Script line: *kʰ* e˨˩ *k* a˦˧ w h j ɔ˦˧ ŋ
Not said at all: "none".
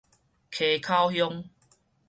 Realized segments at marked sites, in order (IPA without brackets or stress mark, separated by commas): kʰ, kʰ